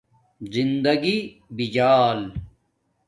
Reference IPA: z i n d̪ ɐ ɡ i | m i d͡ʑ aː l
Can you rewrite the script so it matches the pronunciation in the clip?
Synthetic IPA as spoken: z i n d̪ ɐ ɡ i | b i d͡ʑ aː l